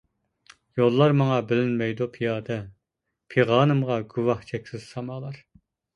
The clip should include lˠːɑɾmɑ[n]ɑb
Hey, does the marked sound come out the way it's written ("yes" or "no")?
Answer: no